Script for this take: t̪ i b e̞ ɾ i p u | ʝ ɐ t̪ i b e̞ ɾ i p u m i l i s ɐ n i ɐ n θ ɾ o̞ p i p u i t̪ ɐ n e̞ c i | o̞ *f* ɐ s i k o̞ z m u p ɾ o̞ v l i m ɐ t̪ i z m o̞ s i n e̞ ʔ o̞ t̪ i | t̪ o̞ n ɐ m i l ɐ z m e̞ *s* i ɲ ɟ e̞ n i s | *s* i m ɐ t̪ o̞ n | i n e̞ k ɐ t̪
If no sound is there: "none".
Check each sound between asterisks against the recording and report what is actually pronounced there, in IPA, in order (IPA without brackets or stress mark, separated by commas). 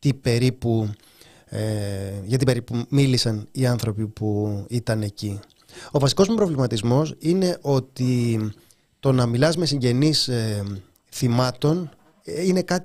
v, s, θ